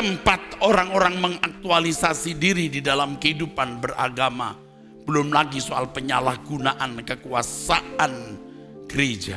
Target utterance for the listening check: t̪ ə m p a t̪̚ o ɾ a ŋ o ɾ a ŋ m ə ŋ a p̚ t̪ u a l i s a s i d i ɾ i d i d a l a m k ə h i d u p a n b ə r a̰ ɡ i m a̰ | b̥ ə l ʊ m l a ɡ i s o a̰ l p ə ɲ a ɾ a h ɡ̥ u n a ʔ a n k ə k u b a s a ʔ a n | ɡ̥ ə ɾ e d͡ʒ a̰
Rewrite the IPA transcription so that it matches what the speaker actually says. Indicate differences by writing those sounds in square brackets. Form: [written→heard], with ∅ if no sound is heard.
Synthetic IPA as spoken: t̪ ə m p a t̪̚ o ɾ a ŋ o ɾ a ŋ m ə ŋ a [p̚→k̚] t̪ u a l i s a s i d i ɾ i d i d a l a m k ə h i d u p a n b ə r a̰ ɡ [i→a] m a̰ | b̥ ə l ʊ m l a ɡ i s o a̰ l p ə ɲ a [ɾ→l] a h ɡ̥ u n a ʔ a n k ə k u [b→∅] a s a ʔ a n | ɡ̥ ə ɾ e d͡ʒ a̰